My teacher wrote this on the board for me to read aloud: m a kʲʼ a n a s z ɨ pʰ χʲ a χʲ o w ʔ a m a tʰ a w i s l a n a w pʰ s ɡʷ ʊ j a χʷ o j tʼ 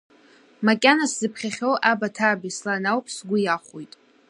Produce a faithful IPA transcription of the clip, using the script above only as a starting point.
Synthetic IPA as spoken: m a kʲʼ a n a s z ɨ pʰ χʲ a χʲ o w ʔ a b a tʰ a b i s l a n a w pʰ s ɡʷ ʊ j a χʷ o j tʼ